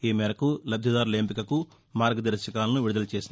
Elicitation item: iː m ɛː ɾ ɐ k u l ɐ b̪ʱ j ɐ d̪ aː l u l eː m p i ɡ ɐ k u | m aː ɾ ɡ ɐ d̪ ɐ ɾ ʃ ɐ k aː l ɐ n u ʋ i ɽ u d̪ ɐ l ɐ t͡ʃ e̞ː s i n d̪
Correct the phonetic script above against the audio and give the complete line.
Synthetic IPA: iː m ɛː ɾ ɐ k u l ɐ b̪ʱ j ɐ d̪ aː ɾ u l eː m p i k ɐ k u | m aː ɾ ɡ ɐ d̪ ɐ ɾ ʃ ɐ k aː l ɐ n u ʋ i ɽ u d̪ ɐ l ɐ t͡ʃ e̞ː s i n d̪